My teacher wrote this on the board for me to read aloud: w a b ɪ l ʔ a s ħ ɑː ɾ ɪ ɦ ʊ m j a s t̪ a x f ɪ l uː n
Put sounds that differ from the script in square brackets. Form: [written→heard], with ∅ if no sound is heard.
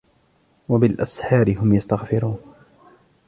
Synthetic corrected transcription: w a b ɪ l ʔ a s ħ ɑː ɾ ɪ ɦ ʊ m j a s t̪ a [x→ɣ] f ɪ [l→ɾ] uː n